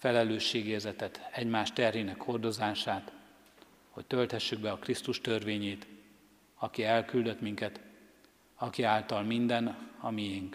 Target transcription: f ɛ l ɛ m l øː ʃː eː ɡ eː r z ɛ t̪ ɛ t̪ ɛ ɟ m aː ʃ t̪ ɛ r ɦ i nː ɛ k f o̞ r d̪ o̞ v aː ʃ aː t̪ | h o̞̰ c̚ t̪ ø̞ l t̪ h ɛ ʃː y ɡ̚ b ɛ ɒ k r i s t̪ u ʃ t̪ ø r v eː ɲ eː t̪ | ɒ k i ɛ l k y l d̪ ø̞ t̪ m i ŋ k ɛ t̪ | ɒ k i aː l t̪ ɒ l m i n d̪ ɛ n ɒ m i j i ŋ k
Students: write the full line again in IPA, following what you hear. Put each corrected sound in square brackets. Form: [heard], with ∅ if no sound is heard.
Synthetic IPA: f ɛ l ɛ [∅] l øː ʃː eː ɡ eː r z ɛ t̪ ɛ t̪ ɛ ɟ m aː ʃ t̪ ɛ r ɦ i [n] ɛ k [h] o̞ r d̪ o̞ [z] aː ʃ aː t̪ | h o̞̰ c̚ t̪ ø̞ l t̪ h ɛ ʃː y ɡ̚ b ɛ ɒ k r i s t̪ u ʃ t̪ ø r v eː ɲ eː t̪ | ɒ k i ɛ l k y l d̪ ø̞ t̪ m i ŋ k ɛ t̪ | ɒ k i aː l t̪ ɒ l m i n d̪ ɛ n ɒ m i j i ŋ k